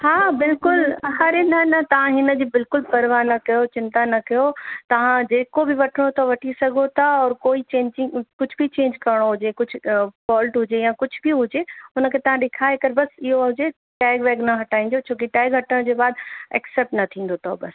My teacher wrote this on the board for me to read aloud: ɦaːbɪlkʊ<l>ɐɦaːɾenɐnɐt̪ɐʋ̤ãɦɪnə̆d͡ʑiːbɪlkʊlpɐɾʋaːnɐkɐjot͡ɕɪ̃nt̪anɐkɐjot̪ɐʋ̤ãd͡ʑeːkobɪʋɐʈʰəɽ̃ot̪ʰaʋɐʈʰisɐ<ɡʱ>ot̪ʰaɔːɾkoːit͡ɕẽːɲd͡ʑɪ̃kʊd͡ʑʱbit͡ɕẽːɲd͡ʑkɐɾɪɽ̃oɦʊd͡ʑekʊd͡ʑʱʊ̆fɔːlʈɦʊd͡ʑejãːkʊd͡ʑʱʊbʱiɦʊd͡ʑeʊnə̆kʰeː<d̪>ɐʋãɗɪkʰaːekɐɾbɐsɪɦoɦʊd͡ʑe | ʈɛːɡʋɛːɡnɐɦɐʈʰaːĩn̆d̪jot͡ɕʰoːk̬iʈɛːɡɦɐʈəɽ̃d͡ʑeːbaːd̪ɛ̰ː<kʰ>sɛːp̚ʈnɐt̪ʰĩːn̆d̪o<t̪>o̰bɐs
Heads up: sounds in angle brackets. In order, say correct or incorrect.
correct, correct, incorrect, incorrect, incorrect

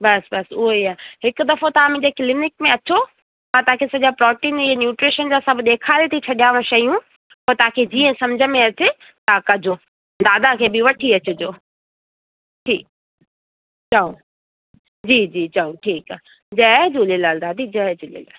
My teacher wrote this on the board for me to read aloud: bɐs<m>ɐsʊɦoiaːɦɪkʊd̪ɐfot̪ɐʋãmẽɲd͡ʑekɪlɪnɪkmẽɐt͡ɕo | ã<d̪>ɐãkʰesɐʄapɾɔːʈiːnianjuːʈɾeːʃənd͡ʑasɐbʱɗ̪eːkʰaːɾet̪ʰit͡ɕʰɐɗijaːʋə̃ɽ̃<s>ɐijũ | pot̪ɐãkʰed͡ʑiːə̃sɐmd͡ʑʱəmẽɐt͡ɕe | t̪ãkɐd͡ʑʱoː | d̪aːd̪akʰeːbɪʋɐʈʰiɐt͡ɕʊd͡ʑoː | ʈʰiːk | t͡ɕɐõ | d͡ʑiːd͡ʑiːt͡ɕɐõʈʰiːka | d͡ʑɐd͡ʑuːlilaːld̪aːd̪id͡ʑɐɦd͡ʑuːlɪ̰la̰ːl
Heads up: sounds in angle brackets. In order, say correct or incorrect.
incorrect, incorrect, incorrect

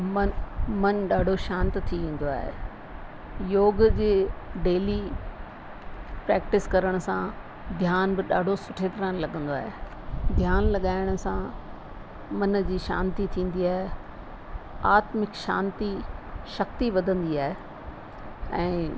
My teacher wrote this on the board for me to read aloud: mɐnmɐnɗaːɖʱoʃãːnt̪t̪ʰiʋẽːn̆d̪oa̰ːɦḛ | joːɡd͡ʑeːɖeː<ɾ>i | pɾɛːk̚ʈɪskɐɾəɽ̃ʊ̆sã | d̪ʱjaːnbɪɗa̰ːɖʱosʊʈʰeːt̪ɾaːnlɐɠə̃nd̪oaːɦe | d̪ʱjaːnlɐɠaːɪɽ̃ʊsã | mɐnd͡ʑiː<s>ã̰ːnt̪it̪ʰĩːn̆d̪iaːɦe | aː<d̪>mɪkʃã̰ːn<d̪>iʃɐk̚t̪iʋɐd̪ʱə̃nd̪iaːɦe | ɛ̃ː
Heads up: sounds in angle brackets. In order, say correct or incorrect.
incorrect, incorrect, incorrect, incorrect

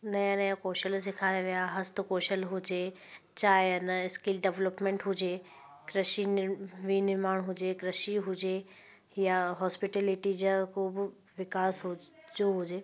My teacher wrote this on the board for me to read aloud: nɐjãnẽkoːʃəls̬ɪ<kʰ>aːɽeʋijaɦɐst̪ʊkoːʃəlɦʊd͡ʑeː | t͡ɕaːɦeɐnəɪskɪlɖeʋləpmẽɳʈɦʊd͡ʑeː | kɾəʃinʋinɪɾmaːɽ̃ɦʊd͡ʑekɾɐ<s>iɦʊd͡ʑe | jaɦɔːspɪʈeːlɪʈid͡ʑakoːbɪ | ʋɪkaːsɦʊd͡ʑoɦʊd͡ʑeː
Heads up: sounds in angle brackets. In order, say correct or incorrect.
correct, incorrect

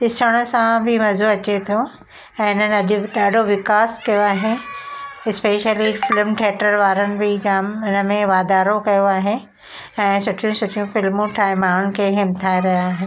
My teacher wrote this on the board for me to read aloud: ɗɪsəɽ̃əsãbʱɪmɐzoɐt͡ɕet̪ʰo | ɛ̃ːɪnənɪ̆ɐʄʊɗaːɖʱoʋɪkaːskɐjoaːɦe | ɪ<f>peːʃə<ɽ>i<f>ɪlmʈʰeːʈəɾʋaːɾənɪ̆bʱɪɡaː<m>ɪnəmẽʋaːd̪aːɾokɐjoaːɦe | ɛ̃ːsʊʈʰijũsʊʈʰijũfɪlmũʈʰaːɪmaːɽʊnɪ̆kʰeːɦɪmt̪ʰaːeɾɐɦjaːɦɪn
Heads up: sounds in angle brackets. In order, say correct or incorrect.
incorrect, incorrect, correct, correct

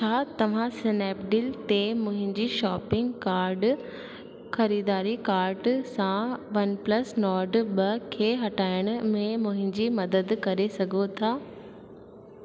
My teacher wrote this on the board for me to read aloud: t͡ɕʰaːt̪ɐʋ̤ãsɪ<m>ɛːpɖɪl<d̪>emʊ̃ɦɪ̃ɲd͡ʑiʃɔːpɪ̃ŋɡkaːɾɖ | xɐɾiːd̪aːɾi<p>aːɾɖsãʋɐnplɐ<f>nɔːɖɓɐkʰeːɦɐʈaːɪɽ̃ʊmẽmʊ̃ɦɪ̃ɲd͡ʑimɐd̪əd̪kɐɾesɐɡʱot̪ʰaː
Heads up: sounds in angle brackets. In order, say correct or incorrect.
incorrect, incorrect, incorrect, incorrect

